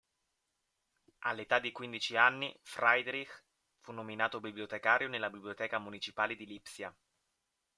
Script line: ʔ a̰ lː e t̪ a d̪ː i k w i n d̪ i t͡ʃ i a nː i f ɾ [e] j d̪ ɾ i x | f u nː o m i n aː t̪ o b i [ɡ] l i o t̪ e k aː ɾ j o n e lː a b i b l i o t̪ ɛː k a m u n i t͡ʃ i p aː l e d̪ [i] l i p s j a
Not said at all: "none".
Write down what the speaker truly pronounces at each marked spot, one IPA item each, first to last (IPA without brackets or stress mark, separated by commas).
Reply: a, b, i